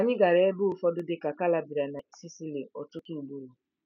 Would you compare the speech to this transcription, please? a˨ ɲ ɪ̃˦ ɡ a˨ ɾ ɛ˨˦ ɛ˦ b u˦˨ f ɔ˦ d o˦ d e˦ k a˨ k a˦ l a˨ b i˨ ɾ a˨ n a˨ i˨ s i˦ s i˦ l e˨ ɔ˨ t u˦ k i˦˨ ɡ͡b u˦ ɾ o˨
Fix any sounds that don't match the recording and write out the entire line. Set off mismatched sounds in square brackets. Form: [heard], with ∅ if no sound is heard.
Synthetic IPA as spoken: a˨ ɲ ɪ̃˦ ɡ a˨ ɾ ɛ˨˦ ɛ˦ b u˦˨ f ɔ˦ d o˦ d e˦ k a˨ k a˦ l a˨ b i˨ ɾ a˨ n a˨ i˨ s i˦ s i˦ l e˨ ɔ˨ t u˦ k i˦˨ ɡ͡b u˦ ɾ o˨